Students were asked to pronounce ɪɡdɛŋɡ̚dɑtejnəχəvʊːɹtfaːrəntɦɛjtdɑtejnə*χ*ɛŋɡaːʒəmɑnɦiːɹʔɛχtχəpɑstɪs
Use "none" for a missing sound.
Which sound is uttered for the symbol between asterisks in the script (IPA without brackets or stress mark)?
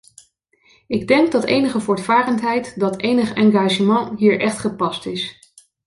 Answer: χ